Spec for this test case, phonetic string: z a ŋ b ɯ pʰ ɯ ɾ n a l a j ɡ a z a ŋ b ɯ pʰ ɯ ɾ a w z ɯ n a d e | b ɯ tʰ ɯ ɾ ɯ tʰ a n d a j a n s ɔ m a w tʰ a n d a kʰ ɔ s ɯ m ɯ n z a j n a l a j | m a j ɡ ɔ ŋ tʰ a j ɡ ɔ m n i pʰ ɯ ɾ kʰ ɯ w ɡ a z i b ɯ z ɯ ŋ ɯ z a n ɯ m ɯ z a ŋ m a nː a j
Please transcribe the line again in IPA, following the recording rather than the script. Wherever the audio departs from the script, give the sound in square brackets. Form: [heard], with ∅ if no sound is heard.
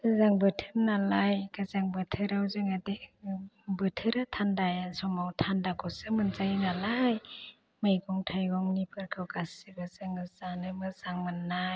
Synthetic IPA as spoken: z a ŋ b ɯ [tʰ] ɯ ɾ n a l a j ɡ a z a ŋ b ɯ [tʰ] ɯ ɾ a w z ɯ [ŋ] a d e | b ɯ tʰ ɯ ɾ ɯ tʰ a n d a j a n s ɔ m a w tʰ a n d a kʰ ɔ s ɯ m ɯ n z a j n a l a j | m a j ɡ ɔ ŋ tʰ a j ɡ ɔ [ŋ] n i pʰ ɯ ɾ kʰ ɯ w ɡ a [s] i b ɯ z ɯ ŋ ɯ z a n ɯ m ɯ z a ŋ m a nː a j

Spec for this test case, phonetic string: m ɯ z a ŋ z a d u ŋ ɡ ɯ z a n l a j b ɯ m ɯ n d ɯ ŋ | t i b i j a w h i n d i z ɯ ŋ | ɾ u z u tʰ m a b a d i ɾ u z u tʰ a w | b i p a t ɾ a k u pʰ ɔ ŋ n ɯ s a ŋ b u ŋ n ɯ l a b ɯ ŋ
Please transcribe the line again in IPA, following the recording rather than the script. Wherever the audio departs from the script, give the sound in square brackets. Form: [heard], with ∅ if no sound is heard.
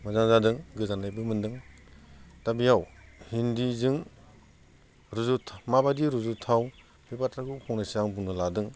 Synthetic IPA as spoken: m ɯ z a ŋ z a d [ɯ] ŋ ɡ ɯ z a n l a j b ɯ m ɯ n d ɯ ŋ | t [a] b i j a w h i n d i z ɯ ŋ | ɾ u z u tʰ m a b a d i ɾ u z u tʰ a w | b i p a t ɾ a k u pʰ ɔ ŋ n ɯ s a ŋ b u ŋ n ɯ l a [d] ɯ ŋ

